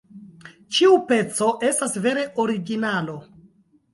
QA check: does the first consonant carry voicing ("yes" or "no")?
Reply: no